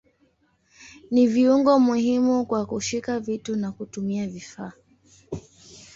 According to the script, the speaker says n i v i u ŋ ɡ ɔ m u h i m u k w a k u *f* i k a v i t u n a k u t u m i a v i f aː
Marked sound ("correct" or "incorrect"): incorrect